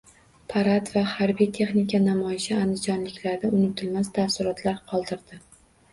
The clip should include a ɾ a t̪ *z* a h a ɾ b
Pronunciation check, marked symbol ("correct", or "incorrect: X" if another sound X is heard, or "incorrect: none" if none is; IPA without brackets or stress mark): incorrect: v